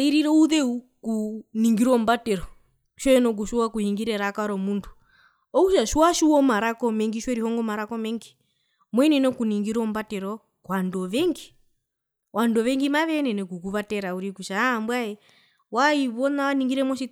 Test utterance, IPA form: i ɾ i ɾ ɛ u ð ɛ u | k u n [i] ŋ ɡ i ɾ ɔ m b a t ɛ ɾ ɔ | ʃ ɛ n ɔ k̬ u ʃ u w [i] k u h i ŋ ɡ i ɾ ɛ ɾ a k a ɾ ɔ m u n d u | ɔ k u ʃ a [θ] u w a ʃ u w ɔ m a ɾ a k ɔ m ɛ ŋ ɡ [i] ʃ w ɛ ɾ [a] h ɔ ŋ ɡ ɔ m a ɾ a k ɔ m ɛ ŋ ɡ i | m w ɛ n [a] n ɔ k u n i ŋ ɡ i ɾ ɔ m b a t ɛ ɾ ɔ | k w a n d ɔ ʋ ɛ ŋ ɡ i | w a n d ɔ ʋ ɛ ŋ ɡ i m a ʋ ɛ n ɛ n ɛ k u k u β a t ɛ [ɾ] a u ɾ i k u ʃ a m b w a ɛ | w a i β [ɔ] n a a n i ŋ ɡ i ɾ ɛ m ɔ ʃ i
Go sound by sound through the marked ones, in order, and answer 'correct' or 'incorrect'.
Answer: correct, incorrect: a, incorrect: ʃ, correct, incorrect: i, incorrect: ɛ, correct, correct

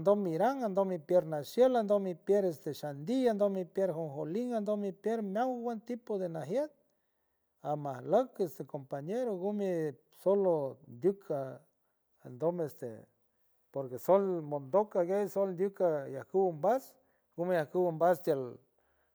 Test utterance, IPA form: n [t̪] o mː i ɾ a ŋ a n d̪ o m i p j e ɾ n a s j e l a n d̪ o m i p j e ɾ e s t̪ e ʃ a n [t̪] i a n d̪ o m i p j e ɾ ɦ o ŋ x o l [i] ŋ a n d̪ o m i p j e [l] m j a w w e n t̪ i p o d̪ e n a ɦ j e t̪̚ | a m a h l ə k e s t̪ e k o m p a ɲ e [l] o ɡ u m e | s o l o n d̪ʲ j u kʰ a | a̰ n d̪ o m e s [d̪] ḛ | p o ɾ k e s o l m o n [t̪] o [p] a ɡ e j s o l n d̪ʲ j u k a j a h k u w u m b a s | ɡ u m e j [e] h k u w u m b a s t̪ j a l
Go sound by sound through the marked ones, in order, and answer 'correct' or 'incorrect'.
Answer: incorrect: d̪, incorrect: d̪, correct, incorrect: ɾ, incorrect: ɾ, incorrect: t̪, incorrect: d̪, incorrect: k, incorrect: a

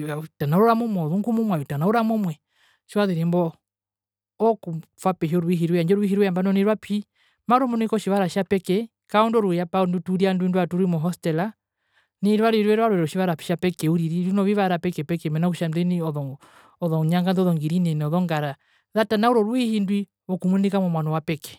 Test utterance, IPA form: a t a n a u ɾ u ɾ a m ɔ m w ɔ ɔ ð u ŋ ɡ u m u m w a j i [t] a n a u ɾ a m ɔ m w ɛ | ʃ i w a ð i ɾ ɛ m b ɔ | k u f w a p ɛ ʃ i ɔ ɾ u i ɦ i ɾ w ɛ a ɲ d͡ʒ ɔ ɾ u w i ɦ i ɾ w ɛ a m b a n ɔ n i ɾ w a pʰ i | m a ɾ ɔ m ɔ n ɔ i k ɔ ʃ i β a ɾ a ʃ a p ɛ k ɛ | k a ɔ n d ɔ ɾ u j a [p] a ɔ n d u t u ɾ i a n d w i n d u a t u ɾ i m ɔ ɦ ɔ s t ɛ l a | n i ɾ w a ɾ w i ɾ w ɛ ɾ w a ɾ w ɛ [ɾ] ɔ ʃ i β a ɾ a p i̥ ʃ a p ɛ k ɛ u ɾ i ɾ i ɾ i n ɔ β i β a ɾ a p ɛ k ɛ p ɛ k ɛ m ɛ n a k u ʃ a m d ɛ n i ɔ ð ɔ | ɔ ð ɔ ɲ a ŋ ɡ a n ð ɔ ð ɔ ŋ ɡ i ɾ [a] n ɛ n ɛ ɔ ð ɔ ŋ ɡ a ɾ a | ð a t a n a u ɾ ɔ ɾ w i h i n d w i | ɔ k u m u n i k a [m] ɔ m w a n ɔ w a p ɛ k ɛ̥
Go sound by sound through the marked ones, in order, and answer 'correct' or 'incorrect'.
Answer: correct, correct, correct, incorrect: i, correct

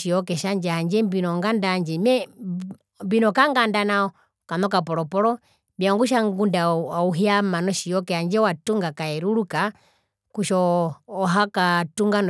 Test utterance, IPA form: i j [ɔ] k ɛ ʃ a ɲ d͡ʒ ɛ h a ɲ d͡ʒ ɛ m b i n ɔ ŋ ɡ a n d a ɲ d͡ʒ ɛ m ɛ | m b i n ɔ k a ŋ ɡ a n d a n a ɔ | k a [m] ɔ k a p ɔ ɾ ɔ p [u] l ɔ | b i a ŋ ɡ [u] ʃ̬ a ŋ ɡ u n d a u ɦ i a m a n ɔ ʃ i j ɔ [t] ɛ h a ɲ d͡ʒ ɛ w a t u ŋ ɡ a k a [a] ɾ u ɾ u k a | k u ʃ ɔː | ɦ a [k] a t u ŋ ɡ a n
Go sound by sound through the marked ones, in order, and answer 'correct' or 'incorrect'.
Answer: correct, incorrect: n, incorrect: ɔ, correct, incorrect: k, incorrect: ɛ, correct

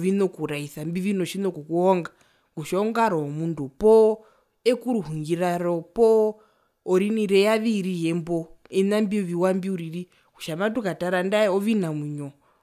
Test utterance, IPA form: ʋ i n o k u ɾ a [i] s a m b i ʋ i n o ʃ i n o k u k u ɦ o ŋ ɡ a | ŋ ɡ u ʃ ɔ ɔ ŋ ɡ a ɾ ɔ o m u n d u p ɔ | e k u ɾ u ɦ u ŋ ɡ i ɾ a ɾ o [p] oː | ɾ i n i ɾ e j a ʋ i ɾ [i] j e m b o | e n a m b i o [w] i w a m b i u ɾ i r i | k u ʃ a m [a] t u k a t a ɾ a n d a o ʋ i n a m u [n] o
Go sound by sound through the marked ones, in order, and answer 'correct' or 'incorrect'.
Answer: correct, correct, correct, incorrect: ʋ, correct, incorrect: ɲ

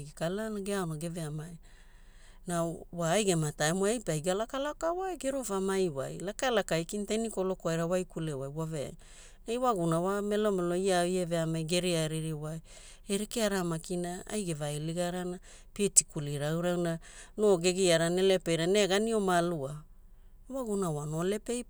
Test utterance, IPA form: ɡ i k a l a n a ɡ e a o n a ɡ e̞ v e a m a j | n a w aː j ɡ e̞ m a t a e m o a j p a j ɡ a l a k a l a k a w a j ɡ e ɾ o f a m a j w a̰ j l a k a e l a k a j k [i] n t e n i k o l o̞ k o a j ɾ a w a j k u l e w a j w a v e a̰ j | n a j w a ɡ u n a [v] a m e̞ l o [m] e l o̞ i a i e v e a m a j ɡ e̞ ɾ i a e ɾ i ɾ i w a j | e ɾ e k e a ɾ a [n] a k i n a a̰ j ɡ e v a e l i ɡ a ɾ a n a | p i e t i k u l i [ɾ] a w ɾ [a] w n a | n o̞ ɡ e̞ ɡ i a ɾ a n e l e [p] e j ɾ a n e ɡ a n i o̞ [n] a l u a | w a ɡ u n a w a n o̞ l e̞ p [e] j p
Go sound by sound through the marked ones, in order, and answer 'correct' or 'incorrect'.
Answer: correct, incorrect: w, correct, incorrect: m, correct, correct, correct, incorrect: m, correct

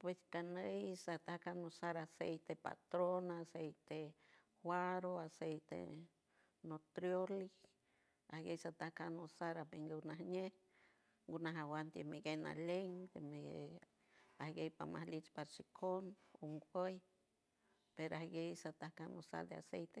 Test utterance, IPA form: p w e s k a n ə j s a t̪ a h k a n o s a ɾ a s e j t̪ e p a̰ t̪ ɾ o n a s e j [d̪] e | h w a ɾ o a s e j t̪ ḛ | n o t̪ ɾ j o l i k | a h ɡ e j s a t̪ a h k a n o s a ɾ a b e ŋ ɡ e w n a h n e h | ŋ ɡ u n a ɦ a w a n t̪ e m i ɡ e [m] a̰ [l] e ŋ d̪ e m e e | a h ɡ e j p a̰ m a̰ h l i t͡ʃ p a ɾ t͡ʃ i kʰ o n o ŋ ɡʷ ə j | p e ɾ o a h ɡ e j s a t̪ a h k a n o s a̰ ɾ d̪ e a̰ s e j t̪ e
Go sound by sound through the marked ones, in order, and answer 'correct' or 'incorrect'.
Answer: incorrect: t̪, incorrect: n, correct

